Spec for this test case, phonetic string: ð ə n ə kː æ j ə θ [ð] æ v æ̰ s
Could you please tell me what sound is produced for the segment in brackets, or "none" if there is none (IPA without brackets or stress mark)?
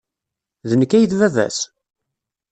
v